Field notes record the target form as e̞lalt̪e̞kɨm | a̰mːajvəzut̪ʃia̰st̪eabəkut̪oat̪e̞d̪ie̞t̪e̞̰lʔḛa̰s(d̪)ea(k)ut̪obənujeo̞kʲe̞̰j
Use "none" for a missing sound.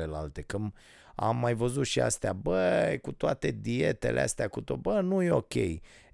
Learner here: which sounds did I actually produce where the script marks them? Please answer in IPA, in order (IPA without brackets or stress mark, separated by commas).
t̪, k